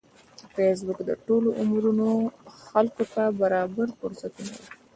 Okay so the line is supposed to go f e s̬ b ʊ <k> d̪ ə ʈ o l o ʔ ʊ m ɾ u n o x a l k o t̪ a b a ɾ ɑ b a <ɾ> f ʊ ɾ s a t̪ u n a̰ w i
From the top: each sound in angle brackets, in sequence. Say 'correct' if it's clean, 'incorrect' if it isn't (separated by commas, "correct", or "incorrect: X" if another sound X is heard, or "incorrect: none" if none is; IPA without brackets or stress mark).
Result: correct, correct